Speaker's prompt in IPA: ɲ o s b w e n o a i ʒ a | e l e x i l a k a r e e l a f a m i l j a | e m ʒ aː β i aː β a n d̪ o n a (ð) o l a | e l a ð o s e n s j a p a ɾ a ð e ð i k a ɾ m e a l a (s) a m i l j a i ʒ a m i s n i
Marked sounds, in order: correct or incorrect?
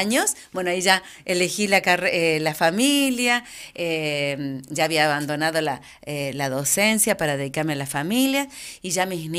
correct, incorrect

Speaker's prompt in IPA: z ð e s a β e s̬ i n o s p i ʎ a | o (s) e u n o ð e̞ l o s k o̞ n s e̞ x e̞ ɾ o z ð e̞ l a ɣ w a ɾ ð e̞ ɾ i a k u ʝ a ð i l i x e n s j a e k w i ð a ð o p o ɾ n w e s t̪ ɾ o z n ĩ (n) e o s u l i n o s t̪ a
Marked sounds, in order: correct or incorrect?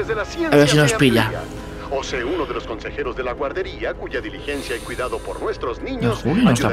correct, incorrect

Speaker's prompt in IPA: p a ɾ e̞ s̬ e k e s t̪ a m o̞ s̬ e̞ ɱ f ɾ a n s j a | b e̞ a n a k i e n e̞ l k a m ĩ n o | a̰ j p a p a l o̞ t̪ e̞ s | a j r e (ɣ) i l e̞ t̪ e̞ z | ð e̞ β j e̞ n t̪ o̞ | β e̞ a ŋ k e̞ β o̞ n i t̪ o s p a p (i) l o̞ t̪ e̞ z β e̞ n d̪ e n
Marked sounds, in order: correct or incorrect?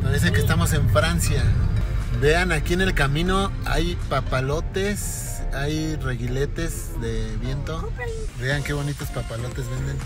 correct, incorrect

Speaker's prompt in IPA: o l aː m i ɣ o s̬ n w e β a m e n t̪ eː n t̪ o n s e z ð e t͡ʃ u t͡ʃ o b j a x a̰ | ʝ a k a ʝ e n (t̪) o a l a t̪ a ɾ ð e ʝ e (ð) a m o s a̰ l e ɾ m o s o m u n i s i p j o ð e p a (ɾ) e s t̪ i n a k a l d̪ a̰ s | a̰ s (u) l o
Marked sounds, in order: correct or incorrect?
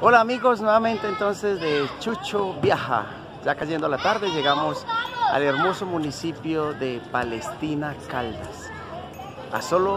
incorrect, incorrect, incorrect, incorrect

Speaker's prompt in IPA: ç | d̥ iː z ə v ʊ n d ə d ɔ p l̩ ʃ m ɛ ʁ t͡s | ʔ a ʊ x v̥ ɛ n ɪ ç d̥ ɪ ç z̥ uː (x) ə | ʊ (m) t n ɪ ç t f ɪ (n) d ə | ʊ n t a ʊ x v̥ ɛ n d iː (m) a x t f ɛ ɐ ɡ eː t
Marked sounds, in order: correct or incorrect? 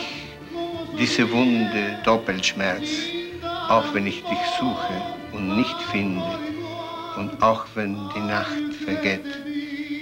correct, incorrect, correct, incorrect

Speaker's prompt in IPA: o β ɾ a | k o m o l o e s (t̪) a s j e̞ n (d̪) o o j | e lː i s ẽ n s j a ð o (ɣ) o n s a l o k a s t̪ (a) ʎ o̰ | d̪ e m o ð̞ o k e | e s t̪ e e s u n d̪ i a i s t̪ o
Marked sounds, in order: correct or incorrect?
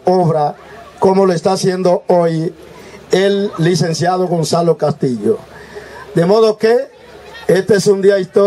correct, correct, correct, incorrect

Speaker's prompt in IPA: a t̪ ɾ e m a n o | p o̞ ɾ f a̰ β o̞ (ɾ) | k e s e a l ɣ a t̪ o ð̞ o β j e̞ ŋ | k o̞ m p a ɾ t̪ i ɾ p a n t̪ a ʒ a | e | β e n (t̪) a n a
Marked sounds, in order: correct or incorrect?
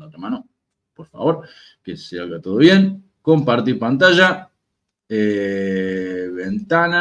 correct, correct

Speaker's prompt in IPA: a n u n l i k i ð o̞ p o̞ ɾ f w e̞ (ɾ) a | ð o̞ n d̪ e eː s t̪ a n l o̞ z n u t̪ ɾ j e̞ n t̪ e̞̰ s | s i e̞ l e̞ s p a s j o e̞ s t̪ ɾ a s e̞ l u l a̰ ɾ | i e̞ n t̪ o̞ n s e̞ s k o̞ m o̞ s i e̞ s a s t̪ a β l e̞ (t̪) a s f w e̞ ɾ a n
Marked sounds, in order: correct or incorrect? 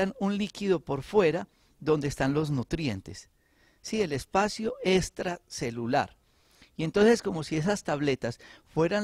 correct, correct

